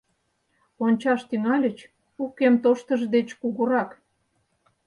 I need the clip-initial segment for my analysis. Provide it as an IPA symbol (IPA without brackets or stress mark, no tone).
o